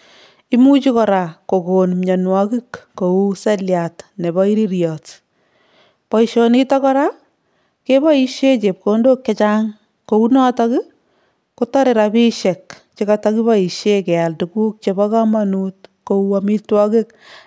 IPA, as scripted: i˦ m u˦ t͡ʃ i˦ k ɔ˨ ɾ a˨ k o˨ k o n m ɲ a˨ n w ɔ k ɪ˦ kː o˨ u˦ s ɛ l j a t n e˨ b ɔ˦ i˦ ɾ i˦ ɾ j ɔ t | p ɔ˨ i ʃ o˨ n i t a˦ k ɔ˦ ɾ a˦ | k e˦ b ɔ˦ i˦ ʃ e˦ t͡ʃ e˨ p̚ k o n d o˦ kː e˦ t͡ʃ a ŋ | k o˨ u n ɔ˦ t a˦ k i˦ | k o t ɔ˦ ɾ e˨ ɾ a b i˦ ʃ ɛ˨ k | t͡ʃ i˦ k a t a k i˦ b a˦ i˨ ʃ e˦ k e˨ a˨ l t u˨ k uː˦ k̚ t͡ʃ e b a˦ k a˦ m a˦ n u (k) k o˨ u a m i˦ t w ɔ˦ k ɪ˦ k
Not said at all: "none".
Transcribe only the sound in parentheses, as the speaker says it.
t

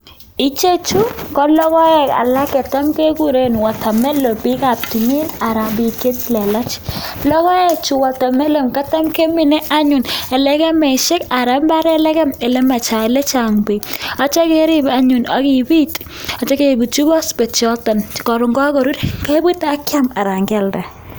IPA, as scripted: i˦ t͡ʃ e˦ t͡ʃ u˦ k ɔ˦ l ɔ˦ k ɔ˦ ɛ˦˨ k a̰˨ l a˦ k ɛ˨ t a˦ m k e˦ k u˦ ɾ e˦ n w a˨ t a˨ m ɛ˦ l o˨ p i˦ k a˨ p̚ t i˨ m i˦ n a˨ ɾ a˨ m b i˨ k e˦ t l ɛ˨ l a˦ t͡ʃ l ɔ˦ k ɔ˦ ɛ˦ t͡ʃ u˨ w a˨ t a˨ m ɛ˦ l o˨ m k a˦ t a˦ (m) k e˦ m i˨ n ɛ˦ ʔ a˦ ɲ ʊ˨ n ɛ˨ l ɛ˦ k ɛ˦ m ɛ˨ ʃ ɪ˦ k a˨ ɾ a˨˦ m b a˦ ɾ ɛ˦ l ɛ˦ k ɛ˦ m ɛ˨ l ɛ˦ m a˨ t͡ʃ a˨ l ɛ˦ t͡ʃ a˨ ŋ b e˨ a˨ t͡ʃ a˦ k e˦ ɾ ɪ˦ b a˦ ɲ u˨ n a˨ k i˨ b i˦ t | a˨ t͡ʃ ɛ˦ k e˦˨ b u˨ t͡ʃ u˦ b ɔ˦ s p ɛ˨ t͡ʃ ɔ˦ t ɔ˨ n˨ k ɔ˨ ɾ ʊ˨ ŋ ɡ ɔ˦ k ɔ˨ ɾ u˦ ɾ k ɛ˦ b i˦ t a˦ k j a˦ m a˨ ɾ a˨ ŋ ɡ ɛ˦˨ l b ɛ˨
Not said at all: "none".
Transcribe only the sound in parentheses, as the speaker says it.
m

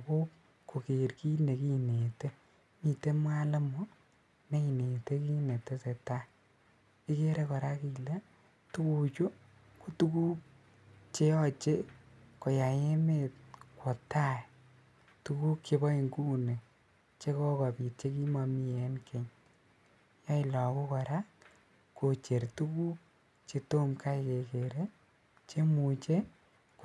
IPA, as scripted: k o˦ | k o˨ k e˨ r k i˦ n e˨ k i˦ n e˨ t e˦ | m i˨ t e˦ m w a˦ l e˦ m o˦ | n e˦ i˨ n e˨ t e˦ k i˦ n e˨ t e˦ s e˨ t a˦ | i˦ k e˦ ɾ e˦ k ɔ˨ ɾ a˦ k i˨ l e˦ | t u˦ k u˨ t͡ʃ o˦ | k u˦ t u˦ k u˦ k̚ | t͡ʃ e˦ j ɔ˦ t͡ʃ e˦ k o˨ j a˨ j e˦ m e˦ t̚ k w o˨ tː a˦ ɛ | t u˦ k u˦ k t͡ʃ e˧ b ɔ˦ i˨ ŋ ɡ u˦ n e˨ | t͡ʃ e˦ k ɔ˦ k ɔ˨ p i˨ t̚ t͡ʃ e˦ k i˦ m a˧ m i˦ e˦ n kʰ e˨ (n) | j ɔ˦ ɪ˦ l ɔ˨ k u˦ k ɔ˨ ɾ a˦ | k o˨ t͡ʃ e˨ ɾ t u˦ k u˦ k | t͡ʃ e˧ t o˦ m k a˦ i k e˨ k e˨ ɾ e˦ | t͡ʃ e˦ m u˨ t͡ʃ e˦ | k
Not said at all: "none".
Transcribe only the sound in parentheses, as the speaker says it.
ɲ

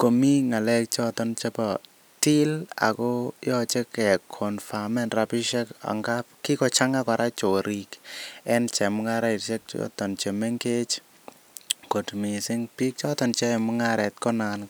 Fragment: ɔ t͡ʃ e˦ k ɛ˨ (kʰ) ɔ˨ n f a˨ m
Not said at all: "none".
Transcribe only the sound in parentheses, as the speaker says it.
kʰ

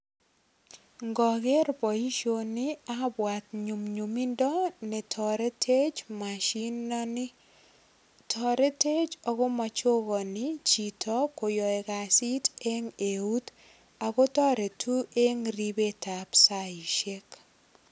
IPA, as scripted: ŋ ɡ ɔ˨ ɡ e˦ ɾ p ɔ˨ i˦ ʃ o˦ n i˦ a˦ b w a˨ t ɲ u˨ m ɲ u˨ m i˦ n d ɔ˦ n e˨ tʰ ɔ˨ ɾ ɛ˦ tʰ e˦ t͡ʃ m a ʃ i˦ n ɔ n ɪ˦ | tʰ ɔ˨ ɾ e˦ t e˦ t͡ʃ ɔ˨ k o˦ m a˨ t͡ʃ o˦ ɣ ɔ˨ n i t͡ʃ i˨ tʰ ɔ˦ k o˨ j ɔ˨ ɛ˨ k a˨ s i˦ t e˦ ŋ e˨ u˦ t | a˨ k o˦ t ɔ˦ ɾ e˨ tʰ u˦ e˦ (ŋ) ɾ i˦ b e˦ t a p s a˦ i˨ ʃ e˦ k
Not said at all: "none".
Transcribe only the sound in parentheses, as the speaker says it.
ŋ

